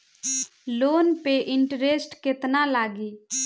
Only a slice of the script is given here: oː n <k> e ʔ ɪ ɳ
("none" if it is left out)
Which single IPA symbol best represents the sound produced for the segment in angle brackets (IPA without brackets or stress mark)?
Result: p